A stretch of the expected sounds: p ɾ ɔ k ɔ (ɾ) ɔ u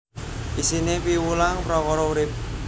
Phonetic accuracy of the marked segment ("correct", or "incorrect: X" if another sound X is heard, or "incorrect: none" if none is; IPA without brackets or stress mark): correct